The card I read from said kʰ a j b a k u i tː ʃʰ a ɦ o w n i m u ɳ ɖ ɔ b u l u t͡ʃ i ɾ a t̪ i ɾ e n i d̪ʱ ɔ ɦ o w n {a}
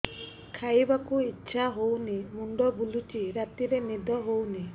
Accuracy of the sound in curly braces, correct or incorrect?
incorrect